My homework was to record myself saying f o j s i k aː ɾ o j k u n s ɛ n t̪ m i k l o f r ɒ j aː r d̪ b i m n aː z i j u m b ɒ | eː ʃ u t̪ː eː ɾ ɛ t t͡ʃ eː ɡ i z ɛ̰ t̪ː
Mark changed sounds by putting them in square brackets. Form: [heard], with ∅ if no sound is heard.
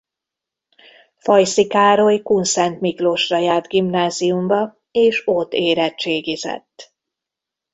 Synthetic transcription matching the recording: f [ɒ] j s i k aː ɾ o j k u n s ɛ n t̪ m i k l o [ʃ] r ɒ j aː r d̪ [ɡ] i m n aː z i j u m b ɒ | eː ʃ [o] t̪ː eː ɾ ɛ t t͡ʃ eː ɡ i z ɛ̰ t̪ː